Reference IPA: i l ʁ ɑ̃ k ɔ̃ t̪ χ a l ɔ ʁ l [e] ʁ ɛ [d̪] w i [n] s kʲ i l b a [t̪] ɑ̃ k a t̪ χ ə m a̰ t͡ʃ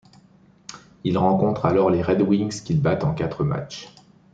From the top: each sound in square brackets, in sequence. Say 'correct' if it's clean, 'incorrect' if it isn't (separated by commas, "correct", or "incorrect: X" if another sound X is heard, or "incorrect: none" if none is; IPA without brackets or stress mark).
correct, correct, incorrect: ŋ, correct